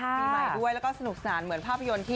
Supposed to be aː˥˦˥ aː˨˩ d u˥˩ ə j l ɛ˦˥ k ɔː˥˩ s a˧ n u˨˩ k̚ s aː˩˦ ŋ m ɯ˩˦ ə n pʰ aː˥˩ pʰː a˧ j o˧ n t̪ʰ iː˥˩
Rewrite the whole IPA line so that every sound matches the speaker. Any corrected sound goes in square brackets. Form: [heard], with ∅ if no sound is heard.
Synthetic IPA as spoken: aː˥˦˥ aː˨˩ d u˥˩ ə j l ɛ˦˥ k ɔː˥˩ s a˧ n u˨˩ k̚ s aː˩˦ [n] m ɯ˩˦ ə n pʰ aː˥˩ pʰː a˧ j o˧ n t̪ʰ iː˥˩

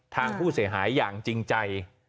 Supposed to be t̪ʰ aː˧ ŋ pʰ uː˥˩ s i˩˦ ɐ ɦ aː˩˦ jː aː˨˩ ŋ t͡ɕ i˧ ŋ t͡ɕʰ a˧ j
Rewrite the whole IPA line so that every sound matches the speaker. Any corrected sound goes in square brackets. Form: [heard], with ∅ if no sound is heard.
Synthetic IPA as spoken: t̪ʰ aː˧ ŋ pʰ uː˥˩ s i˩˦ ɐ ɦ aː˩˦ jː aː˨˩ ŋ t͡ɕ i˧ ŋ [t͡ɕ] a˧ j

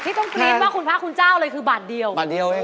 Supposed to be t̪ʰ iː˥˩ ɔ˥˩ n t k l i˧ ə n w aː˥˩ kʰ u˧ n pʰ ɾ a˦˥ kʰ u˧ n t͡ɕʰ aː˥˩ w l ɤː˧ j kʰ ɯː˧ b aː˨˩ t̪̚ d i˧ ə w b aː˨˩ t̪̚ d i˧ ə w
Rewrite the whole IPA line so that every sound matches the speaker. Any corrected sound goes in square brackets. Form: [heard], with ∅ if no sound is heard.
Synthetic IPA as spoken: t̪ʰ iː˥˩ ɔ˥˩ [ŋ] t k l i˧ ə n w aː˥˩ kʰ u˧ n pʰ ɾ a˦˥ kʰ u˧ n [t͡ɕ] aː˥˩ w l ɤː˧ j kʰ ɯː˧ b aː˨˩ t̪̚ d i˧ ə w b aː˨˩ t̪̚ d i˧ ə w

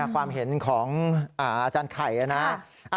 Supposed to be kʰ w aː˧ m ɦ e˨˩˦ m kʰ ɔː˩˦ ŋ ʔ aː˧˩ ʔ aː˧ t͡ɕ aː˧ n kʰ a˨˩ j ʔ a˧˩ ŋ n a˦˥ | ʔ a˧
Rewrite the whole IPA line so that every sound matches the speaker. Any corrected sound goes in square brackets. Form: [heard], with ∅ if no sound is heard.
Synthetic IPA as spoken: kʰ w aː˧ m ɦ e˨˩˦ [n] kʰ ɔː˩˦ ŋ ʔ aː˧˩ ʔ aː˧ t͡ɕ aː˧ n kʰ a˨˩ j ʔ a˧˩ [∅] n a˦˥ | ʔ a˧

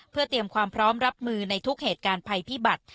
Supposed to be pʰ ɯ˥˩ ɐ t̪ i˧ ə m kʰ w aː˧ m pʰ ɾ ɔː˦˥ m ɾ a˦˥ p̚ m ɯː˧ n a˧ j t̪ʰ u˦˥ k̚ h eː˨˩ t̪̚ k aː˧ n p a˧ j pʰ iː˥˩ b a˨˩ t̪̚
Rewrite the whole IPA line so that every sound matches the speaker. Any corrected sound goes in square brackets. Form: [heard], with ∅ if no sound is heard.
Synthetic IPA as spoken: pʰ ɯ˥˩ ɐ t̪ i˧ ə m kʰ w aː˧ m pʰ ɾ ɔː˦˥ m ɾ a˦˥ p̚ m ɯː˧ n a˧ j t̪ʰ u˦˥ k̚ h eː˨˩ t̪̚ k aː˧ n [pʰ] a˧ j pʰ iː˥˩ b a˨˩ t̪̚

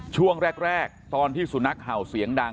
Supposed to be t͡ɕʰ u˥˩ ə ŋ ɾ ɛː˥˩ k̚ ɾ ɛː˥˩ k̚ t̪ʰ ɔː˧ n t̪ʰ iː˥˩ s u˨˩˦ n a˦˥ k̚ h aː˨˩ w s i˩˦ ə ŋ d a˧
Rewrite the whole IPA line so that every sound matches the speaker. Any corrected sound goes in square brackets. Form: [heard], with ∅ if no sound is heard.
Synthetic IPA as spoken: t͡ɕʰ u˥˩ ə ŋ ɾ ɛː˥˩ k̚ ɾ ɛː˥˩ k̚ [t̪] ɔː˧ n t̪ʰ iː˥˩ s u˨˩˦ n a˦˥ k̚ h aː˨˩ w s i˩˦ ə ŋ d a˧

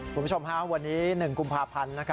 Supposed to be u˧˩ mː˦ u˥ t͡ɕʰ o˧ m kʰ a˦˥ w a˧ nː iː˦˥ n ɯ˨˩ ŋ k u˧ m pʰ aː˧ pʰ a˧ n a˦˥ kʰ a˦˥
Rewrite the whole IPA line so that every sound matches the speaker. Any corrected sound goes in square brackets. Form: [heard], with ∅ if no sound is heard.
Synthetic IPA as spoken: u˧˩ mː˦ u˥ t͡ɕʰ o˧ m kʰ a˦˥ w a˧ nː iː˦˥ n ɯ˨˩ ŋ k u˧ m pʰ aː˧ pʰ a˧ [nː] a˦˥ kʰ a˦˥

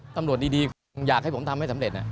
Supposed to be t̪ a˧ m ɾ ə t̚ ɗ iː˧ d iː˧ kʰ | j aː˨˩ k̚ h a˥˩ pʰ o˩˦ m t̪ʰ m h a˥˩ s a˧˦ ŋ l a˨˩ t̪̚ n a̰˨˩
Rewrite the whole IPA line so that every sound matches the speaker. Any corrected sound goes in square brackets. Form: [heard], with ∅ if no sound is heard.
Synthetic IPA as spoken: t̪ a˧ m ɾ ə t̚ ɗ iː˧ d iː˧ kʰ | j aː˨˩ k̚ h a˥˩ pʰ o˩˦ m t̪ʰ m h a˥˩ s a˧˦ [m] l [e˨˩] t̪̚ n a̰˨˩

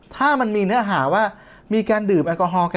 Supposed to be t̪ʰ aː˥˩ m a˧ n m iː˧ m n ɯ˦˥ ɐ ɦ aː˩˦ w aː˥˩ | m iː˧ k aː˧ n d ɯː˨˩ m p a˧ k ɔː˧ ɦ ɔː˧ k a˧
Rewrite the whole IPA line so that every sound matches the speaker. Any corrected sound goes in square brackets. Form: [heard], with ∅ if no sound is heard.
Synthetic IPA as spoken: t̪ʰ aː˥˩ m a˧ n m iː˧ [∅] n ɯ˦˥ ɐ ɦ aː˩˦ w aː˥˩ | m iː˧ k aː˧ n d ɯː˨˩ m [ʔ] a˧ k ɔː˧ ɦ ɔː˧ k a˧

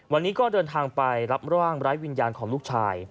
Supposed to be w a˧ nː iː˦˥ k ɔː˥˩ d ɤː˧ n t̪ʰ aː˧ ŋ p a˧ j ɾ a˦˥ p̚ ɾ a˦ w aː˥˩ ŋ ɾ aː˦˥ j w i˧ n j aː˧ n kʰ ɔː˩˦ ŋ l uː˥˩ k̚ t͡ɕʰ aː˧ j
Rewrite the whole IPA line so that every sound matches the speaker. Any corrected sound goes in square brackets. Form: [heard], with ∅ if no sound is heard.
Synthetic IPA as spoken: w a˧ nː iː˦˥ k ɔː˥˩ d ɤː˧ n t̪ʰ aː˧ ŋ p a˧ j ɾ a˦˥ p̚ ɾ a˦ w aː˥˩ ŋ ɾ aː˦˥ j w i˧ n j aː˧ n kʰ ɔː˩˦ ŋ l uː˥˩ k̚ t͡ɕʰ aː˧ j

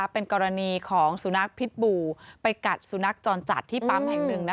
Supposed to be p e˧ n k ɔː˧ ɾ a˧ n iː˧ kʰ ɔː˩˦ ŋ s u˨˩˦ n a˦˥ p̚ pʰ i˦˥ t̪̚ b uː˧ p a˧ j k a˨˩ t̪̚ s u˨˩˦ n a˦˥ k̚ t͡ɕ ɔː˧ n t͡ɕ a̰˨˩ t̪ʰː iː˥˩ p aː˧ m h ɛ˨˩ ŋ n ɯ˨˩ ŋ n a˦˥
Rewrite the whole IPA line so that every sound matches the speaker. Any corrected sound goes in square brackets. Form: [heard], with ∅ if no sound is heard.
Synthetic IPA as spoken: p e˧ n k ɔː˧ ɾ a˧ n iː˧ kʰ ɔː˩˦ ŋ s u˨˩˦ n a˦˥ [k̚] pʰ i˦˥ t̪̚ b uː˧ p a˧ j k a˨˩ t̪̚ s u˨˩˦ n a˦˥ k̚ t͡ɕ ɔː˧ n t͡ɕ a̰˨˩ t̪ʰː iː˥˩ p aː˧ m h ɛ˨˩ ŋ n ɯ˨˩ ŋ n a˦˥

